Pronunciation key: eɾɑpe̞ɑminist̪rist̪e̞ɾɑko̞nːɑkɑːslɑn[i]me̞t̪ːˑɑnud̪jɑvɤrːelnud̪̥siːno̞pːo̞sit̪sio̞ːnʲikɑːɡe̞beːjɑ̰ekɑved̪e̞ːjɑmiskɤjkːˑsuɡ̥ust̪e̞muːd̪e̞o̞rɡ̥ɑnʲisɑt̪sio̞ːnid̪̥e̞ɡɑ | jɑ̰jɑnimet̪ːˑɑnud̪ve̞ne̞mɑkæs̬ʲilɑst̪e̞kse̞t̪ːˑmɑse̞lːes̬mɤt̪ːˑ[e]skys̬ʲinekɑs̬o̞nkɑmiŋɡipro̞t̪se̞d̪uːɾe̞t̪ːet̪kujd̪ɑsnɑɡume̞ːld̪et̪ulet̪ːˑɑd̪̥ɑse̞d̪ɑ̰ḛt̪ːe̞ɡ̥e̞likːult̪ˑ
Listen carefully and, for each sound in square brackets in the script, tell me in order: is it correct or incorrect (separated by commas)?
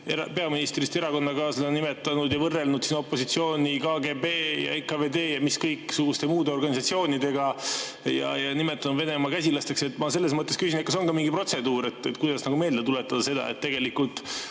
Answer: correct, correct